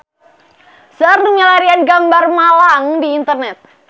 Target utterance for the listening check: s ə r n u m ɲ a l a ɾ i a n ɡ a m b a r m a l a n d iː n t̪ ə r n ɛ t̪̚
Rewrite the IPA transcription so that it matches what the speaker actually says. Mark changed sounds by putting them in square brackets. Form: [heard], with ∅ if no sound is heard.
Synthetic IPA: s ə r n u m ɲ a l a ɾ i a n ɡ a m b a r m a l a [ŋ] d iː n t̪ ə r n ɛ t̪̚

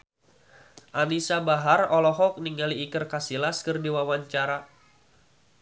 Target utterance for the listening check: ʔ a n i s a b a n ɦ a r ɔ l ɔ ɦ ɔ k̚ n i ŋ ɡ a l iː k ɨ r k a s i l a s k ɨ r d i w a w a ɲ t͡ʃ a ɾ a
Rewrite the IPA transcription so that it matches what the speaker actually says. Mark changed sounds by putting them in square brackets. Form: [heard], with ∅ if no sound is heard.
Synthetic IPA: ʔ a n i s a b a [∅] ɦ a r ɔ l ɔ ɦ ɔ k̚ n i ŋ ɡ a l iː k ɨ r k a s i l a s k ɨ r d i w a w a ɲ t͡ʃ a ɾ a

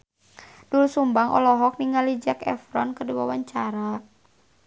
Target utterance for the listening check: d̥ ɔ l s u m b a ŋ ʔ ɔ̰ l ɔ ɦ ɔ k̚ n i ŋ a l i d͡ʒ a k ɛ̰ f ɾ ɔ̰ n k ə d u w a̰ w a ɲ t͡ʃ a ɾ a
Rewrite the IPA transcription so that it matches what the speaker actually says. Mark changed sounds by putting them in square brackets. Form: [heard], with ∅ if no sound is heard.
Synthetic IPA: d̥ [u] l s u m b a ŋ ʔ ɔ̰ l ɔ ɦ ɔ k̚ n i ŋ a l i d͡ʒ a k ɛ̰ f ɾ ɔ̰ n k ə d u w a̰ w a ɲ t͡ʃ a ɾ a

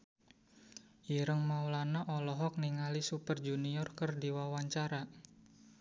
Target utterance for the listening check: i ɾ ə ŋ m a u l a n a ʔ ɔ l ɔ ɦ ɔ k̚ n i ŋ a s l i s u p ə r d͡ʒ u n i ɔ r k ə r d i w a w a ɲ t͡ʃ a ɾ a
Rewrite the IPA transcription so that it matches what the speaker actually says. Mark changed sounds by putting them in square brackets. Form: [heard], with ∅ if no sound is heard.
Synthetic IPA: i ɾ ə ŋ m a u l a n a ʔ ɔ l ɔ ɦ ɔ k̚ n i ŋ a [∅] l i s u p ə r d͡ʒ u n i ɔ r k ə r d i w a w a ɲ t͡ʃ a ɾ a

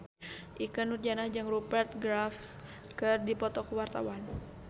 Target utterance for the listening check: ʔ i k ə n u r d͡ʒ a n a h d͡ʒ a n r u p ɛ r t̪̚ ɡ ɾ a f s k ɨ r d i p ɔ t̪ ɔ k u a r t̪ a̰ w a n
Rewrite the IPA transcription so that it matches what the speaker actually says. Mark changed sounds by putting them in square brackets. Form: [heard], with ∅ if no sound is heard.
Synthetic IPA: ʔ i k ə n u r d͡ʒ a n a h d͡ʒ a [ŋ] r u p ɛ r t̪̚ ɡ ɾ a f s k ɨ r d i p ɔ t̪ ɔ k [w] a r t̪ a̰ w a n

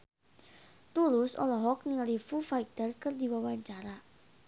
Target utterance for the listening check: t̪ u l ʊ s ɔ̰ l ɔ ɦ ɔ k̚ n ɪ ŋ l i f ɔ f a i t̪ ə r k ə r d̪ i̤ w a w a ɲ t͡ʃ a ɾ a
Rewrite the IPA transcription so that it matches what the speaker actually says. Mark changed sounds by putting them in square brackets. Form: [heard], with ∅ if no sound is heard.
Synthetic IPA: t̪ u l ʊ s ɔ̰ l ɔ ɦ ɔ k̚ n ɪ ŋ l i f [u] f a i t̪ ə r k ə r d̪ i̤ w a w a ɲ t͡ʃ a ɾ a

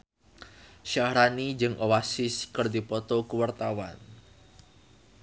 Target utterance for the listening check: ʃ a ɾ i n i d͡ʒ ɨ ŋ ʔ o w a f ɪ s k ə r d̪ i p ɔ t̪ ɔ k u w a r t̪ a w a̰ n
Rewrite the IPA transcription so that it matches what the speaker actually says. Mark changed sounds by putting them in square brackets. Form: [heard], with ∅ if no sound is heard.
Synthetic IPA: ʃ a ɾ [a] n i d͡ʒ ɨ ŋ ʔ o w a [s] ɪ s k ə r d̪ i p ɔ t̪ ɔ k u w a r t̪ a w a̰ n

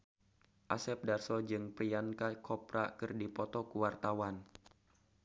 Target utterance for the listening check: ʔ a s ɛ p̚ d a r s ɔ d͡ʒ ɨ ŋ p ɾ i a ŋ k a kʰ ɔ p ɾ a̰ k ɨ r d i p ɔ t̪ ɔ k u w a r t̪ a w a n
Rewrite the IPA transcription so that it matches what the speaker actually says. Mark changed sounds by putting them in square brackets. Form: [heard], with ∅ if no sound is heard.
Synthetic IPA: ʔ a s ɛ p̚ d a r s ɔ d͡ʒ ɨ ŋ p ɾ i a [n] k a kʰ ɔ p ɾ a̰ k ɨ r d i p ɔ t̪ ɔ k u w a r t̪ a w a n

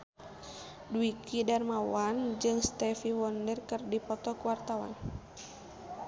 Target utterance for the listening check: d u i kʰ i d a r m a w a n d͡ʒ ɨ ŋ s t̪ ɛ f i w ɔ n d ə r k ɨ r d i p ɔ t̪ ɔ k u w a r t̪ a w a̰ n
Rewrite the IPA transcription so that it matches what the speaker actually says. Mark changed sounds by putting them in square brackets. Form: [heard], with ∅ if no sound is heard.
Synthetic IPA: d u i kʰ i d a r m a w a n d͡ʒ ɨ ŋ s t̪ ɛ f i w ɔ n d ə r k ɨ r d i p ɔ t̪ ɔ k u w a r t̪ a w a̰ n

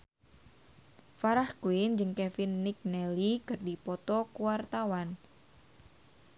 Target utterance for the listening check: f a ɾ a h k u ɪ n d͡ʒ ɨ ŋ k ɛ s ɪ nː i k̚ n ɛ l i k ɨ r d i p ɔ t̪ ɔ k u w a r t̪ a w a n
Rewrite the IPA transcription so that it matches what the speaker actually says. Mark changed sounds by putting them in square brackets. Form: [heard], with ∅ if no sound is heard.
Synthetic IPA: f a ɾ a h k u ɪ n d͡ʒ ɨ ŋ k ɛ [f] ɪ nː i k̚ n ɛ l i k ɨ r d i p ɔ t̪ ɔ k u w a r t̪ a w a n

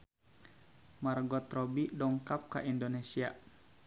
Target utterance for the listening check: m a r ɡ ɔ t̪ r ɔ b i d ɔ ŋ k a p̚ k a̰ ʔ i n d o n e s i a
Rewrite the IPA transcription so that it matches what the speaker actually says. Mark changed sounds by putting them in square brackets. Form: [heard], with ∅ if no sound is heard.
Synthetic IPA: m a r ɡ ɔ t̪ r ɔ b i d ɔ ŋ k a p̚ k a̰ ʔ i n d o n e s i a

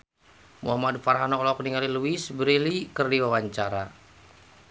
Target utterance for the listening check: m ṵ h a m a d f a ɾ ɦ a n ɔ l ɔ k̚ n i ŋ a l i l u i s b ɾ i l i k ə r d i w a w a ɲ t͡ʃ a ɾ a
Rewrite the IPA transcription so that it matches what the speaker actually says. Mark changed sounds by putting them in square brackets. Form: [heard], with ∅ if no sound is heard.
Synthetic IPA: m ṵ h a m a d f a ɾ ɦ a n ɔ l ɔ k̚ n i ŋ a l i l u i s b ɾ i l i k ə r d i w a w a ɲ t͡ʃ a ɾ a

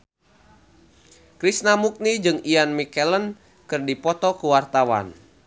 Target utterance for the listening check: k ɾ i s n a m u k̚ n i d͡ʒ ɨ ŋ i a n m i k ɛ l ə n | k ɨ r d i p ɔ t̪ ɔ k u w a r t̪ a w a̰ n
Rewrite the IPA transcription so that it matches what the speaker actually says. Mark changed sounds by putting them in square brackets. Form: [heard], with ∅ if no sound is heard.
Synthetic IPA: k ɾ i s n a m u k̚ n i d͡ʒ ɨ ŋ i a n m i k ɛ l ə n | k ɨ r d i p ɔ t̪ ɔ k u w a r t̪ a w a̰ n

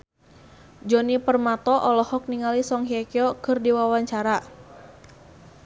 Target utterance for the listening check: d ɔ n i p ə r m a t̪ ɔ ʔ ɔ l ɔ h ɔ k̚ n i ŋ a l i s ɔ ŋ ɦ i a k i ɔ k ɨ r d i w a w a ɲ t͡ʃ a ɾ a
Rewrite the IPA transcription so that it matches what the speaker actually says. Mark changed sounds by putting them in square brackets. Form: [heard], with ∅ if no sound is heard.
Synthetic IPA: [d͡ʒ] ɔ n i p ə r m a t̪ ɔ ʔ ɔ l ɔ h ɔ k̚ n i ŋ a l i s ɔ ŋ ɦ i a k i ɔ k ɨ r d i w a w a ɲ t͡ʃ a ɾ a

